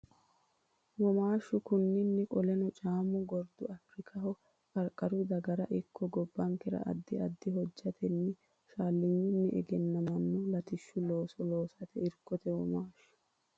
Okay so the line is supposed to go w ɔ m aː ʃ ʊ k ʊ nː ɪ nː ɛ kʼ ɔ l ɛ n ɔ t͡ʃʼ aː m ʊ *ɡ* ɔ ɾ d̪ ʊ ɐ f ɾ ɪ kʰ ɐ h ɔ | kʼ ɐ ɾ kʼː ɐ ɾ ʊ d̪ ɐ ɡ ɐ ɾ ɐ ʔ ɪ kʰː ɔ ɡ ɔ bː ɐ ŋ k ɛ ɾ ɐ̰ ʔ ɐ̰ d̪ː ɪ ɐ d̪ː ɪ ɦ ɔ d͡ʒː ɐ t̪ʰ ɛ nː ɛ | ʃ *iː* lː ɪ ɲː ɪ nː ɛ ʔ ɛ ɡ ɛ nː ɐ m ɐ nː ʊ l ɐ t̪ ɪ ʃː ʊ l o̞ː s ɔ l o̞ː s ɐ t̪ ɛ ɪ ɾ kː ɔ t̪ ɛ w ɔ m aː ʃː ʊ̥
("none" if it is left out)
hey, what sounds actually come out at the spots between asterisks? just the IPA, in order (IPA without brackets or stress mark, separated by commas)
ɡ, aː